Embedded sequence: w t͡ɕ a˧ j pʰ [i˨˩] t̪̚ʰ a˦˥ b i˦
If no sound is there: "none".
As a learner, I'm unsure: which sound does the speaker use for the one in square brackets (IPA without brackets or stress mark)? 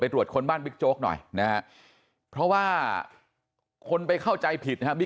i˨˩